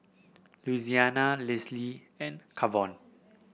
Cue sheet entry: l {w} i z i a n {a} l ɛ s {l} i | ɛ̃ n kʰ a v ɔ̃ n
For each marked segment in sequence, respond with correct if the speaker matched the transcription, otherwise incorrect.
incorrect, correct, correct

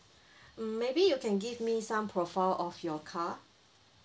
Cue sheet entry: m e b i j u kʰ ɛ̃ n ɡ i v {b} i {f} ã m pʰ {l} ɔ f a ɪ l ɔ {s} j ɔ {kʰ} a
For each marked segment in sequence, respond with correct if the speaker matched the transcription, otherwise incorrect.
incorrect, incorrect, incorrect, incorrect, correct

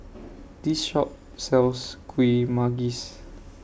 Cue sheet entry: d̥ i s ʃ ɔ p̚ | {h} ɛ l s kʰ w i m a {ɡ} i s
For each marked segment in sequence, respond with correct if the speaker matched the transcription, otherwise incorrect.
incorrect, correct

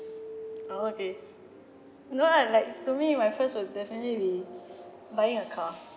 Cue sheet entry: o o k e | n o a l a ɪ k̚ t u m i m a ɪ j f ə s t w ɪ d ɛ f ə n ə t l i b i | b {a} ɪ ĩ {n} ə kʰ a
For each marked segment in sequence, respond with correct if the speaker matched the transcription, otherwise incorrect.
correct, incorrect

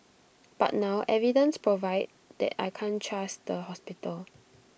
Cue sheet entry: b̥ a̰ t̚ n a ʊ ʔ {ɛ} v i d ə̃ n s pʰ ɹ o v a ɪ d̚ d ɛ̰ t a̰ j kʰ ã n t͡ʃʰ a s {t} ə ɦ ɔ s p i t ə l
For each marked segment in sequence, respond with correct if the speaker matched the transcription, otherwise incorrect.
correct, incorrect

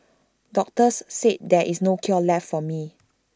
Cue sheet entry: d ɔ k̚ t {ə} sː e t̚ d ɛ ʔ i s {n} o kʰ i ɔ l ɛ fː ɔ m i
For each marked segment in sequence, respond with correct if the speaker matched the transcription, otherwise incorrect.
correct, correct

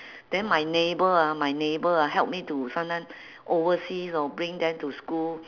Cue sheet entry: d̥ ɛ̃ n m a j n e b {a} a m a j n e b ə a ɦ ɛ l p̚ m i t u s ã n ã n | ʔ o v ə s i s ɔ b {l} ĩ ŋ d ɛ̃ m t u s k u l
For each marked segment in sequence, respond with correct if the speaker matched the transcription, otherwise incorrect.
incorrect, incorrect

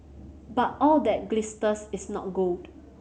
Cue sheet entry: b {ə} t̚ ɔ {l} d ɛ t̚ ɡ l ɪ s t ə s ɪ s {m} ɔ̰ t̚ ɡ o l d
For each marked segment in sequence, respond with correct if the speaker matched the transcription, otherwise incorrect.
incorrect, correct, incorrect

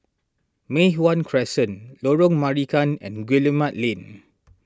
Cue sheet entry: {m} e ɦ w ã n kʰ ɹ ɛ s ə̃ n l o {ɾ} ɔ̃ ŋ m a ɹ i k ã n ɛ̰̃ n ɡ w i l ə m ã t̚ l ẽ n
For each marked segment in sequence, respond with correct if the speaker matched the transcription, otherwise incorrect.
correct, incorrect

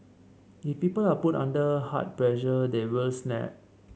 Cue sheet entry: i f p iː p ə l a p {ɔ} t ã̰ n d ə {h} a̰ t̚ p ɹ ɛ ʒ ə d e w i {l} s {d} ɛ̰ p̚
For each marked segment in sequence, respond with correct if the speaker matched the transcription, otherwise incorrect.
incorrect, correct, correct, incorrect

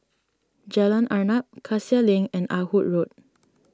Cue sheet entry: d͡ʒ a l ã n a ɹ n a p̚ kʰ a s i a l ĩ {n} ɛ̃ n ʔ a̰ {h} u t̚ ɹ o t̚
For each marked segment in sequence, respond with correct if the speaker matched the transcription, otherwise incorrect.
incorrect, correct

